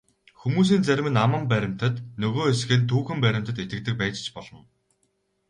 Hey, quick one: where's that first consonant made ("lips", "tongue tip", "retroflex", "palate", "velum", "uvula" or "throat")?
velum